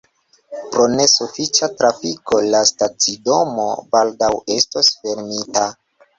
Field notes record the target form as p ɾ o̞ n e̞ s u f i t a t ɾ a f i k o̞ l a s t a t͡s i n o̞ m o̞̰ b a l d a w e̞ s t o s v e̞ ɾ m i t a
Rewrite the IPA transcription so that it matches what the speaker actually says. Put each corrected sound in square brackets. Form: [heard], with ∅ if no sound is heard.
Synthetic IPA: p ɾ o̞ n e̞ s u f i [t͡ʃ] a t ɾ a f i k o̞ l a s t a t͡s i [d] o̞ m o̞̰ b a l d a w e̞ s t o s [f] e̞ ɾ m i t a